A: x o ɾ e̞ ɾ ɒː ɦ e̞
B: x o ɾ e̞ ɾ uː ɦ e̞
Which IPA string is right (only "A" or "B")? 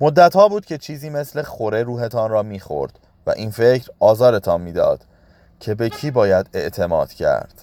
B